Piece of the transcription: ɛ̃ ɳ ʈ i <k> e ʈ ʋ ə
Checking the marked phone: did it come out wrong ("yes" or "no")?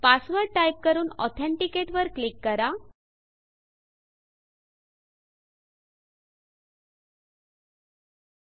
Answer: no